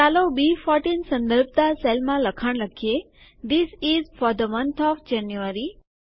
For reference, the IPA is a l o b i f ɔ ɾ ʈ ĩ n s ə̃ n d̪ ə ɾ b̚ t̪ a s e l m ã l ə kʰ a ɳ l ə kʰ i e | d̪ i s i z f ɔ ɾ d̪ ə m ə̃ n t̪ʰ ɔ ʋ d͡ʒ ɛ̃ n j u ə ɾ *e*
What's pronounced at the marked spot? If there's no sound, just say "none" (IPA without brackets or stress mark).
i